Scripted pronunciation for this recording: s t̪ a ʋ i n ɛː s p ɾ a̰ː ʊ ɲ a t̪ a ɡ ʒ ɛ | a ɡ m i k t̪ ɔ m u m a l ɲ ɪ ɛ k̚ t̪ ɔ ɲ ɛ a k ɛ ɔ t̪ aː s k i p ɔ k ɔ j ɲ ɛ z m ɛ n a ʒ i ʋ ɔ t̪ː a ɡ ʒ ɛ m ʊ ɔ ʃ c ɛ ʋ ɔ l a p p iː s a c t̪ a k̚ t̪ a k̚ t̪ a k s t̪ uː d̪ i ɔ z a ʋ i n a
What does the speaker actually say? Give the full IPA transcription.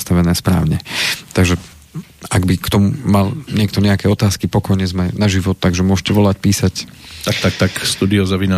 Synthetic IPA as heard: s t̪ a ʋ ɛ n ɛː s p ɾ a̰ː ʊ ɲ ɛ t̪ a ɡ ʒ ɛ | a ɡ b i k t̪ ɔ m u m a l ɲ ɪ ɛ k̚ t̪ ɔ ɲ ɛ a k ɛ ɔ t̪ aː s k i p ɔ k ɔ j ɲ ɛ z m ɛ n a ʒ i ʋ ɔ t̪ː a ɡ ʒ ɛ m ʊ ɔ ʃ c ɛ ʋ ɔ l a c p iː s a c t̪ a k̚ t̪ a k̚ t̪ a k s t̪ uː d̪ i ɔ z a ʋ i n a